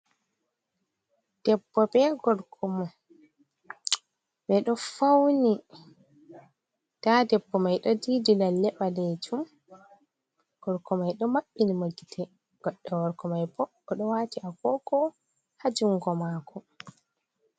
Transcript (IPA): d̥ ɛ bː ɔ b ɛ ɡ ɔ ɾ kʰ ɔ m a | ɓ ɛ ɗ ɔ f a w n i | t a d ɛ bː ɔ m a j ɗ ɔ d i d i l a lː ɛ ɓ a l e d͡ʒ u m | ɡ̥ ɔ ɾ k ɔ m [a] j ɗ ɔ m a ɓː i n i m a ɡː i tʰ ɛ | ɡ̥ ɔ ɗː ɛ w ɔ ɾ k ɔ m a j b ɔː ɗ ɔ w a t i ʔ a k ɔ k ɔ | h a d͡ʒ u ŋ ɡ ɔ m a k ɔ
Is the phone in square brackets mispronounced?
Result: no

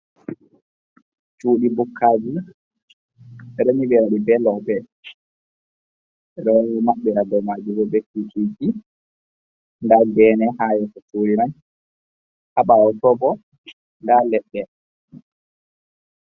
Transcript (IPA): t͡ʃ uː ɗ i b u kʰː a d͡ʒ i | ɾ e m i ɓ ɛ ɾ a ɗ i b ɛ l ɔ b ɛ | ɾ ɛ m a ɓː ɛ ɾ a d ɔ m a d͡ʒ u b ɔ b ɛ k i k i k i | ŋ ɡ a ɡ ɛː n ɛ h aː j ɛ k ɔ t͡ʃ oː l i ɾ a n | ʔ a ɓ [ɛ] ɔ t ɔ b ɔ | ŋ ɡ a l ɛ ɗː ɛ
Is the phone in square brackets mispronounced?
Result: yes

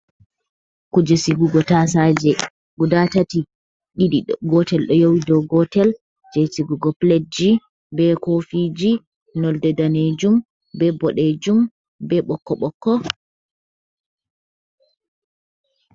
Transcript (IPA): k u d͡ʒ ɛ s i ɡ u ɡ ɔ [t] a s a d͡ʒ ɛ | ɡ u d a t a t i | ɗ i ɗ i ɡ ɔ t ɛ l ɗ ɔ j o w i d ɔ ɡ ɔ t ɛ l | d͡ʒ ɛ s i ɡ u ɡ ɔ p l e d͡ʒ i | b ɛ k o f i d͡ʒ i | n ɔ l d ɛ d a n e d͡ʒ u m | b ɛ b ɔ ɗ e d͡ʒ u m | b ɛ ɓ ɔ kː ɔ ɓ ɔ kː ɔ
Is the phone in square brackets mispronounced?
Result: no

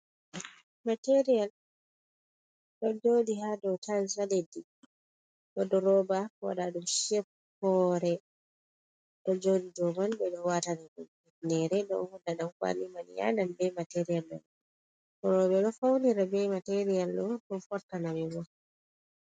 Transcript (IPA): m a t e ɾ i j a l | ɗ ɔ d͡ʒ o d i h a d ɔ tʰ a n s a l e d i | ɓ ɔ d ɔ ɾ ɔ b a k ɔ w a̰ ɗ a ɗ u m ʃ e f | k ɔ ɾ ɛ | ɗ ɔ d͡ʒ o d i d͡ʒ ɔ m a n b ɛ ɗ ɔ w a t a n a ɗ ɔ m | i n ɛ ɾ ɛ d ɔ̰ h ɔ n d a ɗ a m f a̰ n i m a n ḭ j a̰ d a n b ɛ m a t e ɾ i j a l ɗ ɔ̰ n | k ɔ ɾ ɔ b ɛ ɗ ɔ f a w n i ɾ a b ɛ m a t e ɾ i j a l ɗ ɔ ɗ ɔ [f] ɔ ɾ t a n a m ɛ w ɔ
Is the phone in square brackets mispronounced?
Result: no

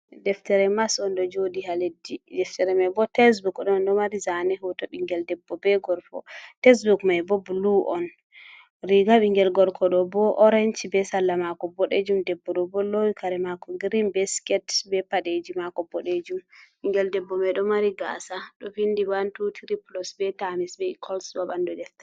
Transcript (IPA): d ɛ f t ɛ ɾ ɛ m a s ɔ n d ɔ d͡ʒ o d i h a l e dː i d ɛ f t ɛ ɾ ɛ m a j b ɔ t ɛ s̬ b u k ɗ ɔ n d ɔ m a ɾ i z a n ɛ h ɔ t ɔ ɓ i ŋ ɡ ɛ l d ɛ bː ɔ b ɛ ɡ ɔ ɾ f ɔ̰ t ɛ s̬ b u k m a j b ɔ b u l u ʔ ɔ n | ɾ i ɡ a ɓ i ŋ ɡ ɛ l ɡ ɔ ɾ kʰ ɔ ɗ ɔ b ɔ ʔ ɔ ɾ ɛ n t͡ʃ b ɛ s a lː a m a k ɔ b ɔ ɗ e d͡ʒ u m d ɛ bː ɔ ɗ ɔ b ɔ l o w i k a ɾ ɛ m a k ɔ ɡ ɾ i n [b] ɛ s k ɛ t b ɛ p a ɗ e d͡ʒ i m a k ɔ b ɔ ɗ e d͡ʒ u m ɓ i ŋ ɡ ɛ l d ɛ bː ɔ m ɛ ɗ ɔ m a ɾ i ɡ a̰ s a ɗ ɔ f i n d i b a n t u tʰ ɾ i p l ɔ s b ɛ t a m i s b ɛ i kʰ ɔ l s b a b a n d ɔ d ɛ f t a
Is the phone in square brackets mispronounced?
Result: no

